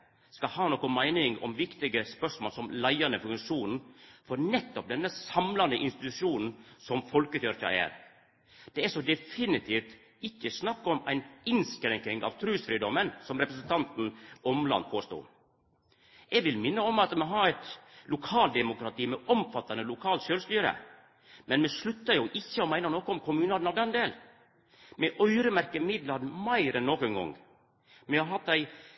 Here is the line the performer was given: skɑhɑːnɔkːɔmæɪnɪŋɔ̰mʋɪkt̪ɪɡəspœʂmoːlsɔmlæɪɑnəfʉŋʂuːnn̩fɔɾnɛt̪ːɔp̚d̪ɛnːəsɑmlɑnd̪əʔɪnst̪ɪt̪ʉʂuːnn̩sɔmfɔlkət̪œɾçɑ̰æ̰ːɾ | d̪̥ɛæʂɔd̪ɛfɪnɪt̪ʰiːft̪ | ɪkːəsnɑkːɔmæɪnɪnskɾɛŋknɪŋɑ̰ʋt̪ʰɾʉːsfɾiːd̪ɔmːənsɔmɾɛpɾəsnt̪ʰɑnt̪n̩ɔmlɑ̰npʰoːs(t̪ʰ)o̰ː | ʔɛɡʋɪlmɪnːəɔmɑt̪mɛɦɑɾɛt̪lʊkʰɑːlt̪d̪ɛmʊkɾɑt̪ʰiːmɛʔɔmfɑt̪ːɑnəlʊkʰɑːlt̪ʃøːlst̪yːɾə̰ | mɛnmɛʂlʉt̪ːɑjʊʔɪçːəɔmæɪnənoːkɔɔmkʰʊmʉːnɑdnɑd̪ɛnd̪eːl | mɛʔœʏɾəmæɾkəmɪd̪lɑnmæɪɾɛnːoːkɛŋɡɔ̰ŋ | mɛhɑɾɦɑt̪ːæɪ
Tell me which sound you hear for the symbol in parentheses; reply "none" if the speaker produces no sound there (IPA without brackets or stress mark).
t̪